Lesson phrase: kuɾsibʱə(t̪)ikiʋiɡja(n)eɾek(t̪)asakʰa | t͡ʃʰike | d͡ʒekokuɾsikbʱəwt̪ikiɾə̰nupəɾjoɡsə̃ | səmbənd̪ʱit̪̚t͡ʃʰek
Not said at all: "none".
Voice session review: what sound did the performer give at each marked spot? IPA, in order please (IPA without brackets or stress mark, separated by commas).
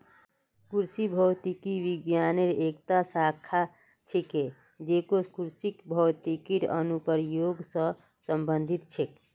t̪, n, t̪